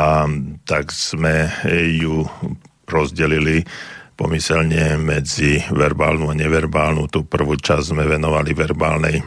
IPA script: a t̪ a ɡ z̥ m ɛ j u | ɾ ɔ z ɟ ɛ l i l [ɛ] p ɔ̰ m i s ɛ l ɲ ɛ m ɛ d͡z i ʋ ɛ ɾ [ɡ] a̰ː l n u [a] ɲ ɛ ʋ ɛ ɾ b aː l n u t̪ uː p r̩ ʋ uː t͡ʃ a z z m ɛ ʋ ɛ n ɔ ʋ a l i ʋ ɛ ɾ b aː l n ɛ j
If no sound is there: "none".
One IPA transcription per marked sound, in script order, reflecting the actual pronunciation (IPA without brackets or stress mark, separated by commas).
i, b, a